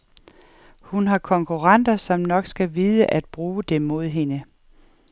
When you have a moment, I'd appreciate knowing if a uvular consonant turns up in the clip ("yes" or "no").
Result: yes